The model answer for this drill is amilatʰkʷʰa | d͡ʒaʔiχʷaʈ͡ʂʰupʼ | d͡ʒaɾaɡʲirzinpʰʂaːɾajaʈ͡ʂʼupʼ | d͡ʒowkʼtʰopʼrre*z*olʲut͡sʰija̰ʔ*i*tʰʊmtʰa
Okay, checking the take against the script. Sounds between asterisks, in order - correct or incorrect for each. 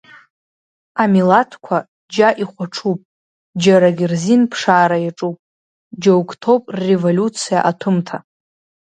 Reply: incorrect: v, incorrect: a

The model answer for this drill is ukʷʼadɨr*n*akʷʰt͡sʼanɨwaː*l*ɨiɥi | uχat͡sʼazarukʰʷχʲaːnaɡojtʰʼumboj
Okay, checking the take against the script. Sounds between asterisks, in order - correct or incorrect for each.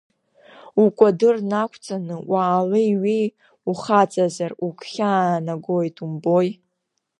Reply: correct, correct

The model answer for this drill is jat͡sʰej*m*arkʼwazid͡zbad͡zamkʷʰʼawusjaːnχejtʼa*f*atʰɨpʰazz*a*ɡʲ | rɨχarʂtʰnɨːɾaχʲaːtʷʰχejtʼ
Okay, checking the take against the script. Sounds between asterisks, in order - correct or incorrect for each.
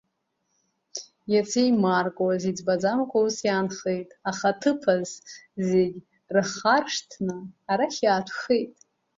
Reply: correct, incorrect: χ, incorrect: e

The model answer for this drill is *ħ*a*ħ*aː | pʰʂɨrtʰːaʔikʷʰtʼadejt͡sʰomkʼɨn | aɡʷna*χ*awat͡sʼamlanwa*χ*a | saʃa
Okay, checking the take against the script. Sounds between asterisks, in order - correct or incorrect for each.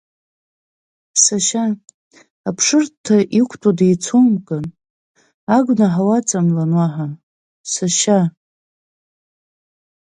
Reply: incorrect: s, incorrect: ʃ, incorrect: ħ, incorrect: ħ

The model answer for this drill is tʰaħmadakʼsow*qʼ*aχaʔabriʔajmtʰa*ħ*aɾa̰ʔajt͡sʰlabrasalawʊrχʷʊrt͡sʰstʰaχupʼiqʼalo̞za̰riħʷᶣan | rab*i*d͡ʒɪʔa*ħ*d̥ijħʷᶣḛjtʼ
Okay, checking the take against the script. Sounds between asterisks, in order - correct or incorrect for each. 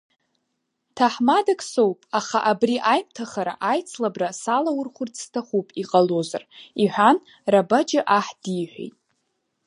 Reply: incorrect: pʼ, incorrect: χ, incorrect: a, correct

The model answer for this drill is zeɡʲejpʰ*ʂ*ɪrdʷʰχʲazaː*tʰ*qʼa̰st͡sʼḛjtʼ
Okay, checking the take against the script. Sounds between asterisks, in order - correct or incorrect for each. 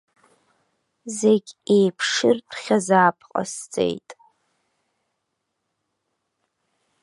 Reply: correct, incorrect: pʰ

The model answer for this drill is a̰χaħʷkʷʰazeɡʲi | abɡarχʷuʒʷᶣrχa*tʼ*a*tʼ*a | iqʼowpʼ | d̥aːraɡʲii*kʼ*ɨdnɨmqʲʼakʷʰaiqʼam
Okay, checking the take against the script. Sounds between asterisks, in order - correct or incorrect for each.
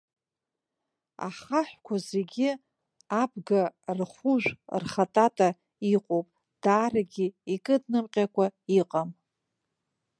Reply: correct, correct, correct

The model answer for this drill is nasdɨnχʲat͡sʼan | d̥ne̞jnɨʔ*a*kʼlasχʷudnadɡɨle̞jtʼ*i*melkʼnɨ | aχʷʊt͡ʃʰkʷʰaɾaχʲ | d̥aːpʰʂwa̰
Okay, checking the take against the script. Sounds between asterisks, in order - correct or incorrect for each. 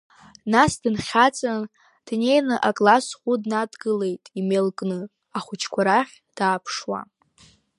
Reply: correct, correct

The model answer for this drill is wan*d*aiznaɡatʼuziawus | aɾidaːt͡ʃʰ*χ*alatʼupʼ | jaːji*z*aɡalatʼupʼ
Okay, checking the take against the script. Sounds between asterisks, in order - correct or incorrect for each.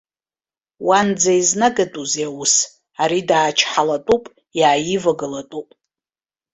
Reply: incorrect: d͡z, incorrect: ħ, incorrect: v

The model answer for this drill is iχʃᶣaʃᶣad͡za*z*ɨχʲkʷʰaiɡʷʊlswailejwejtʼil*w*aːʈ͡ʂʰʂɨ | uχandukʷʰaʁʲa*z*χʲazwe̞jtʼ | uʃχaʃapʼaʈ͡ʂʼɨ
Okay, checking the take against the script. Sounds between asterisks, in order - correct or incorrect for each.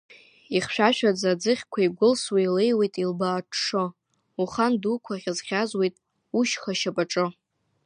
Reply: incorrect: d͡z, incorrect: b, correct

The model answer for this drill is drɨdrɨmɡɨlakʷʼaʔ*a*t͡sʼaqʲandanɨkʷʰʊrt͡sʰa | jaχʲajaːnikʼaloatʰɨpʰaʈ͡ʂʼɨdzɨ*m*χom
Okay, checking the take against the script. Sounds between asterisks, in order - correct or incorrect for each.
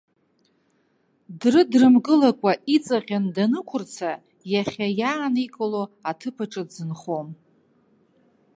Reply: incorrect: i, incorrect: n

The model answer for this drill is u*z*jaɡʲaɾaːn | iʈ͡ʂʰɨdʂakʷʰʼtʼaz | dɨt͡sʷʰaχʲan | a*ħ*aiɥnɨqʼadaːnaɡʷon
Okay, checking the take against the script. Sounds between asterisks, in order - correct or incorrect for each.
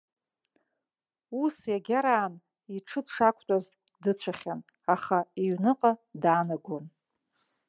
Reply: incorrect: s, incorrect: χ

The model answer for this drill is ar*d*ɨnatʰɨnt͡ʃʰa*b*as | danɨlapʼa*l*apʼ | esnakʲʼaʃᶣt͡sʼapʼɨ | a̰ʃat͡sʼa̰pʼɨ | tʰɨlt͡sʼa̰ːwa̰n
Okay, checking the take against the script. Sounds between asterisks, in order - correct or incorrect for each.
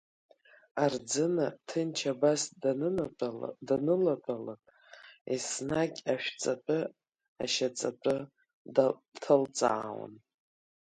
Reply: incorrect: d͡z, correct, correct

